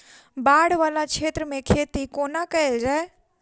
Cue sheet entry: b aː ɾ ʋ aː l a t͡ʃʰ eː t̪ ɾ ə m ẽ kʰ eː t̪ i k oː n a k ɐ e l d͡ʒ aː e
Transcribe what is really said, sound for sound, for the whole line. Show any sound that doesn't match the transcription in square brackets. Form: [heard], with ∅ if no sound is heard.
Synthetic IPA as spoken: b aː [ɽ] ʋ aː l a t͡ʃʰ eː t̪ ɾ ə m ẽ kʰ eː t̪ i k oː n a k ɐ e l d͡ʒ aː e